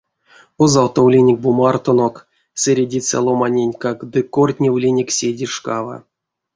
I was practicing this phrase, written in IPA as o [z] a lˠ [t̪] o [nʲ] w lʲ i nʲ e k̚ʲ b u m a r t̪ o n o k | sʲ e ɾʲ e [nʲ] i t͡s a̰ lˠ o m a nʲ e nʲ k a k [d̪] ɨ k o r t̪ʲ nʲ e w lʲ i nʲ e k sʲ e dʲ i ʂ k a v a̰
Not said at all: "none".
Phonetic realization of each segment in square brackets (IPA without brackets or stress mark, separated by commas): z, t̪, none, dʲ, d̪